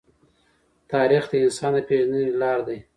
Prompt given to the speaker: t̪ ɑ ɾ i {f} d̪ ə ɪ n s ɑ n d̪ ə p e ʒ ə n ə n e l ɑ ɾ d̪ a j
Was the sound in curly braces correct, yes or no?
no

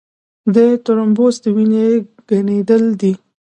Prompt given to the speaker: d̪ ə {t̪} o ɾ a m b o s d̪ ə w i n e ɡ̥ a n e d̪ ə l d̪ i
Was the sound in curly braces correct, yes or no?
yes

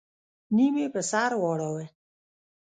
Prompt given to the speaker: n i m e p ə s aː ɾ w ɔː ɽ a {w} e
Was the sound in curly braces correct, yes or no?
yes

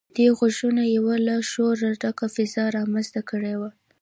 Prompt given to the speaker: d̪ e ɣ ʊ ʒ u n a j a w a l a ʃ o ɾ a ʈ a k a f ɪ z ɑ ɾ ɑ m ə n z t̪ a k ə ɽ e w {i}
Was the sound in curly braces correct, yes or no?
no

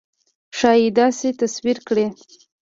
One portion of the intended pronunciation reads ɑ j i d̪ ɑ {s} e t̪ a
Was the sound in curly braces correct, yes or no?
yes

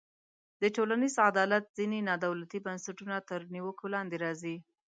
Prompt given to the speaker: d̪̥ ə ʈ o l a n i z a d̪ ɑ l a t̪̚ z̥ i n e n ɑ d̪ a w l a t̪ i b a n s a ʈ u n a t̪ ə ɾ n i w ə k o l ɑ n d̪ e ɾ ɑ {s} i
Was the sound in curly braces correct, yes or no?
no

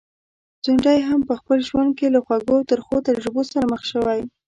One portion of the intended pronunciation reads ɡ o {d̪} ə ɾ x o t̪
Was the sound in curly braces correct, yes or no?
no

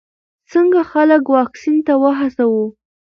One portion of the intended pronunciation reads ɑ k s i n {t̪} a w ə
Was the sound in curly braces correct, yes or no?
yes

